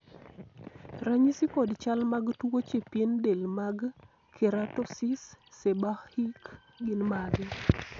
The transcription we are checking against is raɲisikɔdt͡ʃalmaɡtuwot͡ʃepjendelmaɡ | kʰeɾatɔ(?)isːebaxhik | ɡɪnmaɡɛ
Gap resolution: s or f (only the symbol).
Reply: s